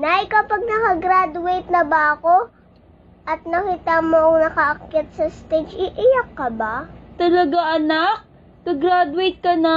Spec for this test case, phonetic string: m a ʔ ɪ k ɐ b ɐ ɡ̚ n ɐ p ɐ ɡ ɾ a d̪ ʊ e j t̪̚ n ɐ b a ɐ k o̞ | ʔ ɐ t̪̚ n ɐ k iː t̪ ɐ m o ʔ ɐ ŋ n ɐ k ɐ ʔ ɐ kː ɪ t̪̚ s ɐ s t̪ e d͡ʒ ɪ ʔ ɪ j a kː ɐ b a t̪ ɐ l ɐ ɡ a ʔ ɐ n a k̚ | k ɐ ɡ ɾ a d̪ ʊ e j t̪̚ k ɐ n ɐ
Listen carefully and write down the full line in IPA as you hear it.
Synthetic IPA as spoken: n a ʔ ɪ k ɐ p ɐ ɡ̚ n ɐ k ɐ ɡ ɾ a d̪ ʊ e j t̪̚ n ɐ b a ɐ k o̞ | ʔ ɐ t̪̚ n ɐ k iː t̪ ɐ m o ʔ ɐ ŋ n ɐ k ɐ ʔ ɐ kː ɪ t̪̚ s ɐ s t̪ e d͡ʒ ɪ ʔ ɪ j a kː ɐ b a t̪ ɐ l ɐ ɡ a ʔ ɐ n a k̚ | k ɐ ɡ ɾ a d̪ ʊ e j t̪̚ k ɐ n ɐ